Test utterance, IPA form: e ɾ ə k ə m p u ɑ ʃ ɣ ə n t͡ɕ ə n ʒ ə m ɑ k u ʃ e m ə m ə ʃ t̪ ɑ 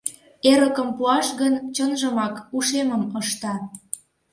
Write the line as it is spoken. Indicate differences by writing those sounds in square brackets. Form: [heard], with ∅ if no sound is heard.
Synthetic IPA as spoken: e ɾ ə k ə m p u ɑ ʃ ɣ ə n t͡ɕ ə n ʒ ə m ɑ k u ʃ e m ə m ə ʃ t̪ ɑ